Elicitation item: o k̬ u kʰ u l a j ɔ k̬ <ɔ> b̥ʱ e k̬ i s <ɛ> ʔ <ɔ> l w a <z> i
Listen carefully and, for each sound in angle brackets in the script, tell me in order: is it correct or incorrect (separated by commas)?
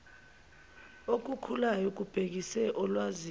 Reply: incorrect, correct, correct, correct